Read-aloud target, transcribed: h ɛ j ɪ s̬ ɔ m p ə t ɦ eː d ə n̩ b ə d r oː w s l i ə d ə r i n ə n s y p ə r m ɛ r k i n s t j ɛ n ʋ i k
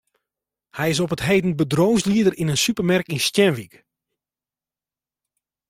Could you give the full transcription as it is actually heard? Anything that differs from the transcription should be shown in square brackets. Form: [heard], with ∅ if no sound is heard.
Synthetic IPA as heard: h ɛ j ɪ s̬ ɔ [∅] p ə t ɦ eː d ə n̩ b ə d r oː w s l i ə d ə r i n ə n s y p ə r m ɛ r k i n s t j ɛ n ʋ i k